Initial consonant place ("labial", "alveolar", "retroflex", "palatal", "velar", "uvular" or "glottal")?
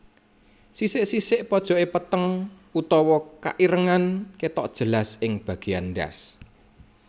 alveolar